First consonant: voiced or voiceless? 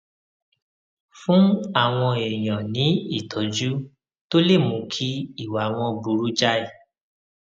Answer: voiceless